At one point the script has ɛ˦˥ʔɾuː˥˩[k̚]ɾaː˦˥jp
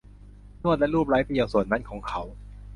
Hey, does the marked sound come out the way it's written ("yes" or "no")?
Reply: no